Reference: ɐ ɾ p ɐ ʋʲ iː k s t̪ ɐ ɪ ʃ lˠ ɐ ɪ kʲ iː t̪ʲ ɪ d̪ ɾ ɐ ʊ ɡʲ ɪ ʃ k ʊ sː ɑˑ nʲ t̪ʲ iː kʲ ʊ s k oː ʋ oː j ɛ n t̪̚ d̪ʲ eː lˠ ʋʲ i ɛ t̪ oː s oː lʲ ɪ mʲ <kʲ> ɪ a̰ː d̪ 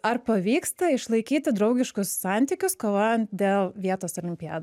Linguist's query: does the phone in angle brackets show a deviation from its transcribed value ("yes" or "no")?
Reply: yes